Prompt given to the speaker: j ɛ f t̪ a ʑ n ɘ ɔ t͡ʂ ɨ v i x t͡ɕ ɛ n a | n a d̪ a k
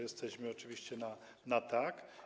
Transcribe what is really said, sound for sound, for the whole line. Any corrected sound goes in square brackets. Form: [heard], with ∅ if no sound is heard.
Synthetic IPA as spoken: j ɛ [s] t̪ [ɛ] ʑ [m] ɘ ɔ t͡ʂ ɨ v i [ɕ] t͡ɕ ɛ n a | n a [t̪] a k